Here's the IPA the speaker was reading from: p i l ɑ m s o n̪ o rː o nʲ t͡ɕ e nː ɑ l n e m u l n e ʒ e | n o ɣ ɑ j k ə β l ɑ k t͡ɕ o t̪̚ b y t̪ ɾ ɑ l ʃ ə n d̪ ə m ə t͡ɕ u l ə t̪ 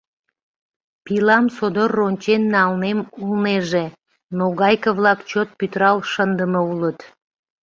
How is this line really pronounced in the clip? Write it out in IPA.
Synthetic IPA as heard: p i l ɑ m s o d̪ o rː o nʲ t͡ɕ e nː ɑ l n e m u l n e ʒ e | n o ɣ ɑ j k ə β l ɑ k t͡ɕ o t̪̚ p y t̪ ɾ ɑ l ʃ ə n d̪ ə m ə u l ə t̪